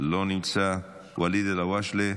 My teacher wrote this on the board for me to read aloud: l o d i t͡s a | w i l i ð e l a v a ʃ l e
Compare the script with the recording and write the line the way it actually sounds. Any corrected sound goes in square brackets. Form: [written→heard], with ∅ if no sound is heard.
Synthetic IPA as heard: l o [d→n] i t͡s a | w [i→a] l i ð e l a [v→w] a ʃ l e

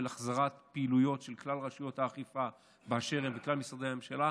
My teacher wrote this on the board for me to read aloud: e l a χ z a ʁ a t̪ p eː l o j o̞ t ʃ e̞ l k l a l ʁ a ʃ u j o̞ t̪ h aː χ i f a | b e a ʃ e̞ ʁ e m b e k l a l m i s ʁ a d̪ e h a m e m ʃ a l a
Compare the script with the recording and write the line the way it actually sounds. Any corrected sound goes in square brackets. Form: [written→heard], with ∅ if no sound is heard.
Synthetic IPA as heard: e l a χ z a ʁ a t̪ p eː l [o→u] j o̞ t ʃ e̞ l k l a l ʁ a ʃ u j o̞ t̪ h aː χ i f a | b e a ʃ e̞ ʁ e m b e k l a l m i s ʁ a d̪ e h a m e m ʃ a l a

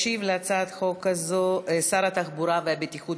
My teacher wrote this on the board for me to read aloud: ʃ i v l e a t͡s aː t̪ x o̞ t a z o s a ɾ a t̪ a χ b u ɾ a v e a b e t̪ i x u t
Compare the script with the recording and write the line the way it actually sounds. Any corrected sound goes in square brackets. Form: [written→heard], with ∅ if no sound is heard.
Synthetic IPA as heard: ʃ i v l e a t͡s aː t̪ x o̞ [t→k] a z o s a ɾ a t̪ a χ b u ɾ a v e a b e t̪ i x u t

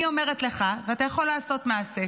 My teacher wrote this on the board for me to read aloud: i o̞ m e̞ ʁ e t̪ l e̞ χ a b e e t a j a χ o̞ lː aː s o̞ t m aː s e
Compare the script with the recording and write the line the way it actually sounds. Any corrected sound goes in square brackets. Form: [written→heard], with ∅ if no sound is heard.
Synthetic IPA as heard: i o̞ m e̞ ʁ e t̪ l e̞ χ a [b→v] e [e→a] t a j a χ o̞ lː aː s o̞ t m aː s e

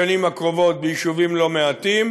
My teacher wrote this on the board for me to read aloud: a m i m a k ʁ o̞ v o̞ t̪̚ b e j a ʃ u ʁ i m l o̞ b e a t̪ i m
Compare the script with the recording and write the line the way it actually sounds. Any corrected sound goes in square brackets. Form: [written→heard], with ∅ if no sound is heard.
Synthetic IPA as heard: a [m→n] i m a k ʁ o̞ v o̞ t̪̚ b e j [a→i] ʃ u [ʁ→v] i m l o̞ [b→m] e a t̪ i m

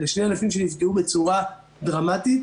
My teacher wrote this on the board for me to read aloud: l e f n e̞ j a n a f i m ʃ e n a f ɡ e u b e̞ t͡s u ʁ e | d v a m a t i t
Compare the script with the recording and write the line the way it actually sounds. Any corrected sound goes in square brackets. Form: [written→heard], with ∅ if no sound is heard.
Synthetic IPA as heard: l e [f→ʃ] n e̞ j a n a f i m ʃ e n [a→i] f ɡ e u b e̞ t͡s u ʁ [e→a] | d [v→ʁ] a m a t i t

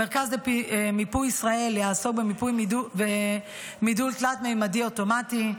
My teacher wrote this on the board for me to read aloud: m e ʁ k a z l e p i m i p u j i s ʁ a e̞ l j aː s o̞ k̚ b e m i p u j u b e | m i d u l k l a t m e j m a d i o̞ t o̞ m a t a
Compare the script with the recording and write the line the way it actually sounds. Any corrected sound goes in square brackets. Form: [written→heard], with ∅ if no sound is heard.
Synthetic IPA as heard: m e ʁ k a z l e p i m i p u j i s ʁ a e̞ l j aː s o̞ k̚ b e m i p u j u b e | m i d u l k l a t m e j m a d i o̞ t o̞ m a t [a→i]

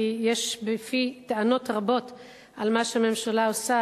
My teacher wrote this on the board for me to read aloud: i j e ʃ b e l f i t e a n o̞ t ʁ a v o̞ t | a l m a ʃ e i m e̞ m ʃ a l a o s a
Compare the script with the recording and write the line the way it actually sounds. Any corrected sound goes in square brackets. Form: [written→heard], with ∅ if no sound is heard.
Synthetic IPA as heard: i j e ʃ b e [l→∅] f i t e a n o̞ t ʁ a [v→b] o̞ t | a l m a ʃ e [i→a] m e̞ m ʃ a l a o s a

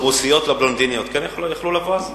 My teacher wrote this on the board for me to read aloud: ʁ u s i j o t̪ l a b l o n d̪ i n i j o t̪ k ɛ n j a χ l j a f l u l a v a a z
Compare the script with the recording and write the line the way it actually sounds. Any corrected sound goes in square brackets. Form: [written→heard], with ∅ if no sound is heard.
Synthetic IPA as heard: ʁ u s i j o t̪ l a b l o n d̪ i n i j o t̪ k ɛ n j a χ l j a [f→χ] l u l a v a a z

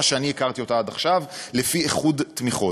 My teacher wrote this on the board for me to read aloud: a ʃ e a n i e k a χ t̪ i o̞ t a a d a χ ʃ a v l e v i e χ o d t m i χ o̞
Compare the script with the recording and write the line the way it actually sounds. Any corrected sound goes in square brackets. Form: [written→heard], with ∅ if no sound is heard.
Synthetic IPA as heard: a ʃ e a n i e k a [χ→ʁ] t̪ i o̞ t a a d a χ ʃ a v l e [v→f] i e χ [o→u] d t m i χ o̞

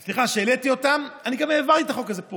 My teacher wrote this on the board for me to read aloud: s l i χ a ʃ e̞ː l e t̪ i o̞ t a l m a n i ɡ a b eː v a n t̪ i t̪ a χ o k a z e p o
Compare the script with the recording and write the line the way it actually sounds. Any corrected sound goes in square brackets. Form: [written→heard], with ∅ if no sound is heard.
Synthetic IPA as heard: s l i χ a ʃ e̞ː l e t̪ i o̞ t a [l→∅] m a n i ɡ a [b→m] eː v a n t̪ i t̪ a χ o k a z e p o

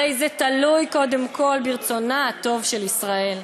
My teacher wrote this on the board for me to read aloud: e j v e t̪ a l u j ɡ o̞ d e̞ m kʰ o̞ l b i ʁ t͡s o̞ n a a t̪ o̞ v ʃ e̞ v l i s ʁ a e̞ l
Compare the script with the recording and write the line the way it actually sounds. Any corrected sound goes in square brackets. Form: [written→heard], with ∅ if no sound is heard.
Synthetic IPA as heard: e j [v→z] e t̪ a l u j [ɡ→k] o̞ d e̞ m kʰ o̞ l b i ʁ t͡s o̞ n a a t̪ o̞ v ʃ e̞ [v→∅] l i s ʁ a e̞ l

